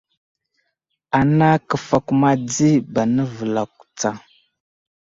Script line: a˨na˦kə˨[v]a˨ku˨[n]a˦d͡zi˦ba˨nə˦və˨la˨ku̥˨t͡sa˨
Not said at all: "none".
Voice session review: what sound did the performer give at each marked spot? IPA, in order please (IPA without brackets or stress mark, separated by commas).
f, m